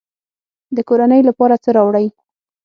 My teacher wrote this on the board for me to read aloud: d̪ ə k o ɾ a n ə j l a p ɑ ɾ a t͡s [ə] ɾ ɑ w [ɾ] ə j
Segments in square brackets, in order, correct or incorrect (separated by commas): correct, incorrect